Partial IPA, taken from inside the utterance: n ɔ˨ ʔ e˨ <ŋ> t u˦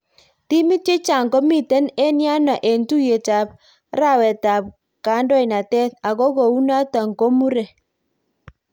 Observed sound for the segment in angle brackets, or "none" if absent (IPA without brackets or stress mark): n